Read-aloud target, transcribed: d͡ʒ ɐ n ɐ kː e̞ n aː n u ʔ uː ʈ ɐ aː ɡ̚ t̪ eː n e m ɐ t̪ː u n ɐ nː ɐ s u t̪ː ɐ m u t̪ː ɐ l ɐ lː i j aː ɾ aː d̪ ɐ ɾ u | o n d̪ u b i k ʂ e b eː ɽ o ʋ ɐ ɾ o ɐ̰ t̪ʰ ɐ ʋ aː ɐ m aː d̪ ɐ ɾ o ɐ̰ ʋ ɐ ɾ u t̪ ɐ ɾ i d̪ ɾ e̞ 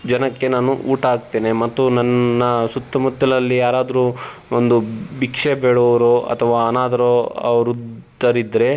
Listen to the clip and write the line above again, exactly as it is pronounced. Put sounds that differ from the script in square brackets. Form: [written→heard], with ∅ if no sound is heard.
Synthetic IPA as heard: d͡ʒ ɐ n ɐ kː e̞ n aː n u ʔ uː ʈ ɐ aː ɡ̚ t̪ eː n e m ɐ t̪ː u n ɐ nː ɐ s u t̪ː ɐ m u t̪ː ɐ l ɐ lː i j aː ɾ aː d̪ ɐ ɾ u | o n d̪ u b i k ʂ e b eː ɽ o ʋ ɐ ɾ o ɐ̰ t̪ʰ ɐ ʋ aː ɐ [m→n] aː d̪ ɐ ɾ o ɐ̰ ʋ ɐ ɾ u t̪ ɐ ɾ i d̪ ɾ e̞